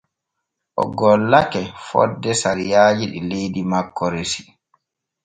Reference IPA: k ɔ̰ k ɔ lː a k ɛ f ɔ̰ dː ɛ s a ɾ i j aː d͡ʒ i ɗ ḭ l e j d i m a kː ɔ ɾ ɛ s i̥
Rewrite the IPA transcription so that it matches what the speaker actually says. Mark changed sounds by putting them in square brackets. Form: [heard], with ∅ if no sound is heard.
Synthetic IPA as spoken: [ʔ] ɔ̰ [ɡ] ɔ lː a k ɛ f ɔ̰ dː ɛ s a ɾ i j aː d͡ʒ i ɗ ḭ l e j d i m a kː ɔ ɾ [e] s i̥

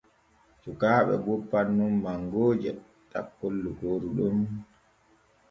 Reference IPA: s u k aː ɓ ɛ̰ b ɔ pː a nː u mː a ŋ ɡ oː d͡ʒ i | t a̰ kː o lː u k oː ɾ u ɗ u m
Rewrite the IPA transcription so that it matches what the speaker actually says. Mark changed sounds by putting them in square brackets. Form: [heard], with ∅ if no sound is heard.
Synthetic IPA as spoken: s u k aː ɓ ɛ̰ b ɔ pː a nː u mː a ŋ ɡ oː d͡ʒ [ɛ] | t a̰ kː o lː u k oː ɾ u ɗ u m

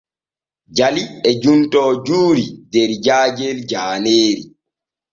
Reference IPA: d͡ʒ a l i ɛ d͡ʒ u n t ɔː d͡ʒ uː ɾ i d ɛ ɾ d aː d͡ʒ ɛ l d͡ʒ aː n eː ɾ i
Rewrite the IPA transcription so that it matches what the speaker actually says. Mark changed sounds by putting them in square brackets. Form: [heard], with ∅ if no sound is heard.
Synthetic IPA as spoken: d͡ʒ a l i ɛ d͡ʒ u n t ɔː d͡ʒ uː ɾ i d ɛ ɾ [d͡ʒ] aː d͡ʒ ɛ l d͡ʒ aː n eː ɾ i

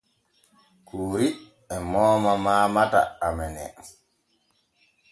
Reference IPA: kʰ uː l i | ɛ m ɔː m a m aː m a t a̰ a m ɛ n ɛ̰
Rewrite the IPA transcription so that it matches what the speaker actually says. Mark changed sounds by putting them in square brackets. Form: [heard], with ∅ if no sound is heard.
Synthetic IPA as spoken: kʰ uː [ɾ] i | ɛ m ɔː m a m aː m a t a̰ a m ɛ n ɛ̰

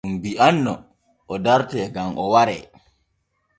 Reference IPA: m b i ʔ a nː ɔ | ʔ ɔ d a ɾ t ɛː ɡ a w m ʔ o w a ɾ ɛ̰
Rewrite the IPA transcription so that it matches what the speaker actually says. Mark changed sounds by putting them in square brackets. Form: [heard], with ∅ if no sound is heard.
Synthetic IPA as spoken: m b i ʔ a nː ɔ | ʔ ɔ d a ɾ t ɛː ɡ a [∅] m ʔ [ɔ] w a ɾ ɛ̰

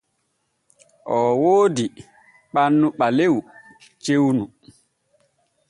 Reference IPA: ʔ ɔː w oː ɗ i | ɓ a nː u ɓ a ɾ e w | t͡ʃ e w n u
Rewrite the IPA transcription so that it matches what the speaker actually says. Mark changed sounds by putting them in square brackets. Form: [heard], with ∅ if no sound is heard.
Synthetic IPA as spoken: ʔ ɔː w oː [d] i | ɓ a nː u ɓ a [l] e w | t͡ʃ e w n u

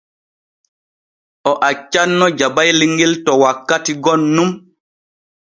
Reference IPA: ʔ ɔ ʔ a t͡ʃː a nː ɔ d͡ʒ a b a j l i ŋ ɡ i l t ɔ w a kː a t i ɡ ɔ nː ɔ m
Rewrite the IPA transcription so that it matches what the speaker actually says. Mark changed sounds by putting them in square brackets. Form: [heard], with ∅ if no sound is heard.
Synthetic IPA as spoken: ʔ ɔ ʔ a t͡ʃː a nː ɔ d͡ʒ a b a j l i ŋ ɡ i l t ɔ w a kː a t i ɡ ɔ nː [u] m

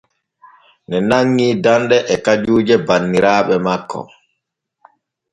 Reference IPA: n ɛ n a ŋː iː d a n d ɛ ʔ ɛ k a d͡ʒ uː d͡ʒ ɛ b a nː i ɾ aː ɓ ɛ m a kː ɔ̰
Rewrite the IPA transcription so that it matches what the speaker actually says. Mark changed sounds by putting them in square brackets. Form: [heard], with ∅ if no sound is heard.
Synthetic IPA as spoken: n ɛ n a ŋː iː d a n d ɛ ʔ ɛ k a d͡ʒ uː d͡ʒ ɛ b a nː i ɾ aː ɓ ɛ m a kː ɔ̰

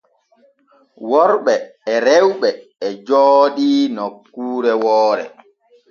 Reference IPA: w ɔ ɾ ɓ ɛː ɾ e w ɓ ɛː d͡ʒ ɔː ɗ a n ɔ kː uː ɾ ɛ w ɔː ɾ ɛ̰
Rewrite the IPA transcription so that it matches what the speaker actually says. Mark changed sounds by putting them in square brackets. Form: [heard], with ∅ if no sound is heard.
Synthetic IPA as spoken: w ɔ ɾ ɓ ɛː ɾ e w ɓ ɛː d͡ʒ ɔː ɗ [i] n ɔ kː uː ɾ ɛ w ɔː ɾ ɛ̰

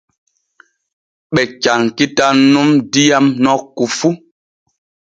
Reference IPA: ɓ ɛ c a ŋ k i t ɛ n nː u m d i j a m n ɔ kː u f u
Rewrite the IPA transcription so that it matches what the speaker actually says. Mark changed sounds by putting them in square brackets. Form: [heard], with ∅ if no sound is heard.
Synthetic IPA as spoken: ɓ ɛ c a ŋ k i t [a] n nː u m d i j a m n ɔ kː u f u

